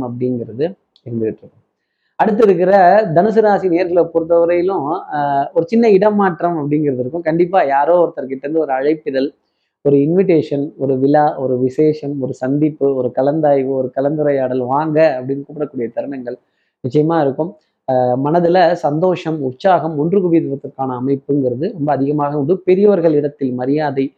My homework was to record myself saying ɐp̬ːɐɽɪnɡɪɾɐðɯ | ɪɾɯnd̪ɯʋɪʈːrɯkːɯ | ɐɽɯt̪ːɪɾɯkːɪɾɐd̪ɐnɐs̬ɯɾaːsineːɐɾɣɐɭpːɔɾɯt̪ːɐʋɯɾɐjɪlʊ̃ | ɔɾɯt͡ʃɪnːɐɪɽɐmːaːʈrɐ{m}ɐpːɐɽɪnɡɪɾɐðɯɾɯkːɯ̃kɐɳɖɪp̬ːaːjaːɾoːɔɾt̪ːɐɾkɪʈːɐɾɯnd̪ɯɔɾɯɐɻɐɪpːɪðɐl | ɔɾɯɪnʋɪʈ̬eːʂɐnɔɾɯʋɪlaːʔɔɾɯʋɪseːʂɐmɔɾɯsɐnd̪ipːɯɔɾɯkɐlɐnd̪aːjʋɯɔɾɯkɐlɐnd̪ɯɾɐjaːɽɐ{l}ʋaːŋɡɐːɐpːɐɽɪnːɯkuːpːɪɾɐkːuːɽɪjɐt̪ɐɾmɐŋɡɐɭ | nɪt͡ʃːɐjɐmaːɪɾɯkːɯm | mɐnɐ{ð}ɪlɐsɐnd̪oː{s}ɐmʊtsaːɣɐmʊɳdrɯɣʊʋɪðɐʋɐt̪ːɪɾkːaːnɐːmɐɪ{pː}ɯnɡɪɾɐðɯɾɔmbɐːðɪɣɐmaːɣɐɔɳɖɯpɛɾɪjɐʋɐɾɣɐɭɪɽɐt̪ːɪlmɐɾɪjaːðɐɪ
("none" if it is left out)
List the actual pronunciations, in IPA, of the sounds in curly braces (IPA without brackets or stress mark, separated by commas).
m, l, ð, ʂ, pː